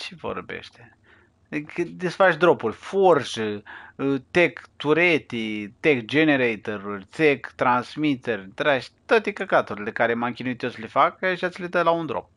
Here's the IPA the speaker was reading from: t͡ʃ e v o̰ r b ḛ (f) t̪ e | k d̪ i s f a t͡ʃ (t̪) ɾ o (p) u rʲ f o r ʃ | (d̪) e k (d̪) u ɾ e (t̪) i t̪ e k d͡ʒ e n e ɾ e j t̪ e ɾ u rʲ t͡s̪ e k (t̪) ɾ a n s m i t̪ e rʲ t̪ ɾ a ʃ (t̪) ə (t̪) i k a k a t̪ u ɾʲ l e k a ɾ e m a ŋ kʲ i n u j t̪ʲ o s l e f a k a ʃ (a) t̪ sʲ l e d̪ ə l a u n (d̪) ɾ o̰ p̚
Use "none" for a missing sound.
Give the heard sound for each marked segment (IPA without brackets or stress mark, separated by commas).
ʃ, d̪, p, t̪, t̪, t̪, t̪, t̪, t̪, a, d̪